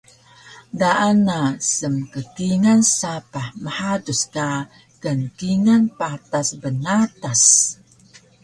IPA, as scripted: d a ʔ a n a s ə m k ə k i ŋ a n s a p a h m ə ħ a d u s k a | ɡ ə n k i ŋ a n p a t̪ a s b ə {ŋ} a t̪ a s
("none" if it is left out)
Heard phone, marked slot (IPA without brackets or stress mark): n